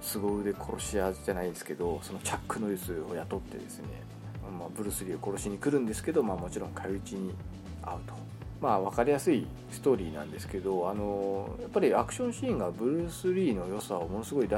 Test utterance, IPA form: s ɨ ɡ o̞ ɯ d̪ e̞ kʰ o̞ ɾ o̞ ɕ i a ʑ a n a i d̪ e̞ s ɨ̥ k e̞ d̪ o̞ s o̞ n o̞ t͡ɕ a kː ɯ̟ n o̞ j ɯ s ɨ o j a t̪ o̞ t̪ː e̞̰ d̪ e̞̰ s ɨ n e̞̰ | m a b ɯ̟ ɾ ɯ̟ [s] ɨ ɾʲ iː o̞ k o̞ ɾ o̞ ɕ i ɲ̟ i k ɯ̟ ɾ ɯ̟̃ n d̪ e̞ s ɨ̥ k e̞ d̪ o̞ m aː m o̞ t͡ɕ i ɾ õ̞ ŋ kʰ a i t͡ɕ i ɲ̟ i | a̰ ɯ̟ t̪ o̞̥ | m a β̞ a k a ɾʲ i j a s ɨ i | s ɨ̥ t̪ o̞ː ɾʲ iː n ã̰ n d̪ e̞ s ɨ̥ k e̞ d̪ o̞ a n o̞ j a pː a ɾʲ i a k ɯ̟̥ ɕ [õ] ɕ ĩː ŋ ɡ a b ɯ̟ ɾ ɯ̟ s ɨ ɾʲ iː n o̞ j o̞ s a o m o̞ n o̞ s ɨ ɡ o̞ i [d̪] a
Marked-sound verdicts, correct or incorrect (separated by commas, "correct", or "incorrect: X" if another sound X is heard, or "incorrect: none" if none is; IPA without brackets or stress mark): correct, correct, correct